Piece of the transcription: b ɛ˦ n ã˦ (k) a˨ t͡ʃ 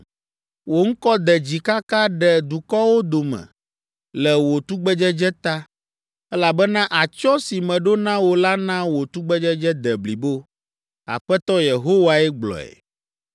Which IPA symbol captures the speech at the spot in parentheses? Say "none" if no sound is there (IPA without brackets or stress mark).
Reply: ʔ